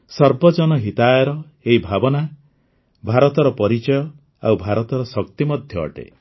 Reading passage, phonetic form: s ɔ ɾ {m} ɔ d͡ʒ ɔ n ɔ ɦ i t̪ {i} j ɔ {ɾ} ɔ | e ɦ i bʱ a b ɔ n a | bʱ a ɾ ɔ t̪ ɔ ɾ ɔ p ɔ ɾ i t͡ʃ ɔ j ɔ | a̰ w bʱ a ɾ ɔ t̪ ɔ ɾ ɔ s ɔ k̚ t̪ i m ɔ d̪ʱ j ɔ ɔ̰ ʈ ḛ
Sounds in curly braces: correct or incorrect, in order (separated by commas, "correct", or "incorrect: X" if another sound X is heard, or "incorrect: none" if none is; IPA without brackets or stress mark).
incorrect: b, incorrect: a, correct